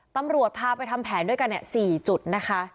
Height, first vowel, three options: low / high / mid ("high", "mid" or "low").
low